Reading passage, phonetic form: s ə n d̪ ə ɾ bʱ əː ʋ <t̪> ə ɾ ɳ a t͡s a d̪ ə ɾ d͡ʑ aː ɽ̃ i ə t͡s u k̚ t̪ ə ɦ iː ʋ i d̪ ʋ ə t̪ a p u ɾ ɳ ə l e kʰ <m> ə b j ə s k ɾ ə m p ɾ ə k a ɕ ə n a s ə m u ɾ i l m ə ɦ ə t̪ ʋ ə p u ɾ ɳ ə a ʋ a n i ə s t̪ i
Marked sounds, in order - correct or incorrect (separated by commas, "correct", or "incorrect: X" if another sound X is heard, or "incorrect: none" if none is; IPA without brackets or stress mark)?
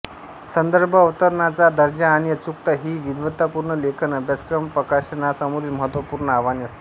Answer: correct, incorrect: n